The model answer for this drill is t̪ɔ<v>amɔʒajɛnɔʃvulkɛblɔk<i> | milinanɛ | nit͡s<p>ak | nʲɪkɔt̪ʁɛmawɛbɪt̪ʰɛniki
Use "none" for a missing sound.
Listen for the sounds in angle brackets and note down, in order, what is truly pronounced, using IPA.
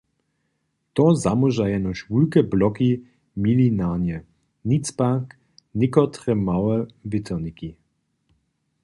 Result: z, i, p

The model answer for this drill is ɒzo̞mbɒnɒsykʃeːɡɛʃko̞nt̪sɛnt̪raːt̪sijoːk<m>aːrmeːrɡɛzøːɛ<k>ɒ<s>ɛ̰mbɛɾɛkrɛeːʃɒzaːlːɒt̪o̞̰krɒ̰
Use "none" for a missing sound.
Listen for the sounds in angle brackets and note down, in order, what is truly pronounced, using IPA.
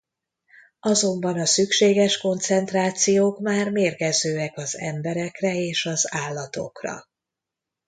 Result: m, k, z

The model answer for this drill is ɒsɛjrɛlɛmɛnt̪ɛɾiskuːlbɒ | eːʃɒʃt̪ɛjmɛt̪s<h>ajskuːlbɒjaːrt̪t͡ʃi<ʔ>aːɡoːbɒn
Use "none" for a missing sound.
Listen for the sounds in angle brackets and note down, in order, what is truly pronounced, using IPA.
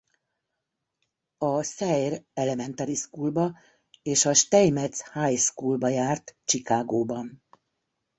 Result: h, k

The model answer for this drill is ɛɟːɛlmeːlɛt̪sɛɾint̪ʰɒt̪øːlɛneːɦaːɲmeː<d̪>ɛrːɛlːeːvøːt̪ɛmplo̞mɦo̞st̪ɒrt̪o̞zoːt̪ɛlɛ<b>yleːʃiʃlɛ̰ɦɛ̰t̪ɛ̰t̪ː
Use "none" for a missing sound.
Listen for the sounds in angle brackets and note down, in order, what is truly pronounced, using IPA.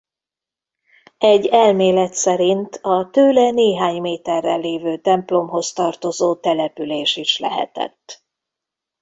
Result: t̪, p

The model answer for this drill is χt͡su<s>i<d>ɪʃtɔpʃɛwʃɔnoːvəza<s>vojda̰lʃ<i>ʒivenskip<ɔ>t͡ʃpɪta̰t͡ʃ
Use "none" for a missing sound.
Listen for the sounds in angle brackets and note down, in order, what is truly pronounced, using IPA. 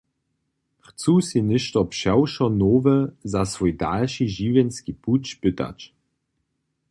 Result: s, n, s, i, u

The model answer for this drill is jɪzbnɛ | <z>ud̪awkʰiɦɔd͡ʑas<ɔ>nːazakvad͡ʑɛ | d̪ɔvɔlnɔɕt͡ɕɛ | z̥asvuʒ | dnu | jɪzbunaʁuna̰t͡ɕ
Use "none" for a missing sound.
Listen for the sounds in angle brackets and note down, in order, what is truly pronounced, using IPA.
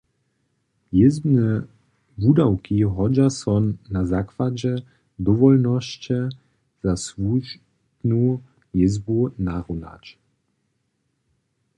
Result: v, ɔ

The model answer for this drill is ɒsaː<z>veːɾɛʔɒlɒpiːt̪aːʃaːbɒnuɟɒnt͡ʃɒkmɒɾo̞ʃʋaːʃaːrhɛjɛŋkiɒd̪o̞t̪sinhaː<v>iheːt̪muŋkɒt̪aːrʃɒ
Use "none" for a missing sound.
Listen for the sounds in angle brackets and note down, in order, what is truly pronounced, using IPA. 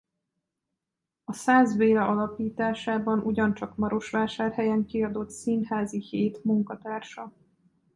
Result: z, z

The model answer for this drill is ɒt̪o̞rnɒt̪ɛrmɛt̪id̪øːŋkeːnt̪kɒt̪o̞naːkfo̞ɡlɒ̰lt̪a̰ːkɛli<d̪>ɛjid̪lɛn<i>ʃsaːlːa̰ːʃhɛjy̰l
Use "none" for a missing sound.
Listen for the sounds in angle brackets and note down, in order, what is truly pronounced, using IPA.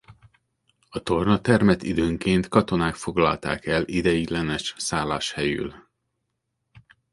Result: d̪, ɛ

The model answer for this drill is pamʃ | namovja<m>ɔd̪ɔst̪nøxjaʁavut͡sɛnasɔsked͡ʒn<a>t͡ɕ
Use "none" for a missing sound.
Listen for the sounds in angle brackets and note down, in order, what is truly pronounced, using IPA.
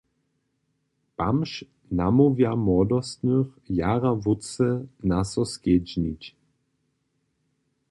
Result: m, i

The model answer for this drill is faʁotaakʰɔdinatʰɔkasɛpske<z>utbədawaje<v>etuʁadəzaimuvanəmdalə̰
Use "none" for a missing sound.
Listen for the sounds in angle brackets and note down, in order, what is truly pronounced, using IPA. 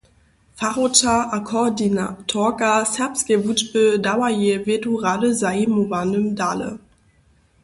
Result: v, v

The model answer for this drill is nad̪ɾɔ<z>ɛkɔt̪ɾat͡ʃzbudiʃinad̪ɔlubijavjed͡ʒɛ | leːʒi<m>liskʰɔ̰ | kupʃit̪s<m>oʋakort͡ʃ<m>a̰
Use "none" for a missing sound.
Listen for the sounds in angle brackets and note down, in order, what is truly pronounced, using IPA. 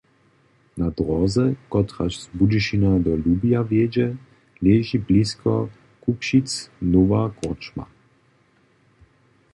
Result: z, b, n, m

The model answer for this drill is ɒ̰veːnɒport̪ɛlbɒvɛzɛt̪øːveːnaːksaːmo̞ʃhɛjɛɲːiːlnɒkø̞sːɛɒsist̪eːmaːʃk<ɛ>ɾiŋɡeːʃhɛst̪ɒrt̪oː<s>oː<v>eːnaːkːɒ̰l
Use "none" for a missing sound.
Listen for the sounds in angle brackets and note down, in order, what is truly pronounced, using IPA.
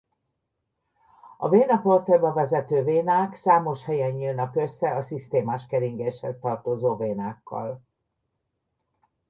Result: ɛ, z, v

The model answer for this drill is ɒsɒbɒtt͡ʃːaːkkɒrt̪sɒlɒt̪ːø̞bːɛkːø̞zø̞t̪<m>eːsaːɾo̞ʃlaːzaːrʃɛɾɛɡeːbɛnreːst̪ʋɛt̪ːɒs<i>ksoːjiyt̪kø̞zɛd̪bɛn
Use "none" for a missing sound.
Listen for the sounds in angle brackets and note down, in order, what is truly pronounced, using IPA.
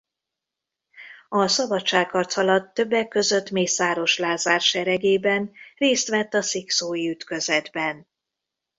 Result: m, i

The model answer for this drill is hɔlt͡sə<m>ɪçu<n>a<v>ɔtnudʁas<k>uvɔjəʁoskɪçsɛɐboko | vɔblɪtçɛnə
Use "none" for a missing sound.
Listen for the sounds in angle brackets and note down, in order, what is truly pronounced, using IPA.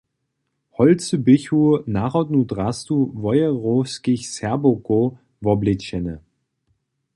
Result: b, n, ʁ, t

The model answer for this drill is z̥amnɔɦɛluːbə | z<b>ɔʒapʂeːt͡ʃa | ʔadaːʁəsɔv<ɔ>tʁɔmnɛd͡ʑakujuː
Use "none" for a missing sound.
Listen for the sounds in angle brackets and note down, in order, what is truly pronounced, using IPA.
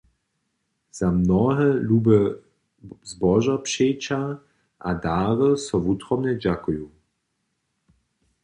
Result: b, u

